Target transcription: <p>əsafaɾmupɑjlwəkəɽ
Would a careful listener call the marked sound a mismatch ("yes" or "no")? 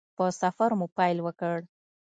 no